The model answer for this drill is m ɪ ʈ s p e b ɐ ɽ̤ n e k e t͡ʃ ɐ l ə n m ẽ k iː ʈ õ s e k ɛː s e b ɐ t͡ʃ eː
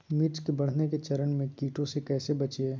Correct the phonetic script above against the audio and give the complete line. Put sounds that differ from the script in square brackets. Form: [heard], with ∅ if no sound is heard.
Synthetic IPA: m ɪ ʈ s [k] e b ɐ ɽ̤ n e k e t͡ʃ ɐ [ɾ] ə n m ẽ k iː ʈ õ s e k ɛː s e b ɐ t͡ʃ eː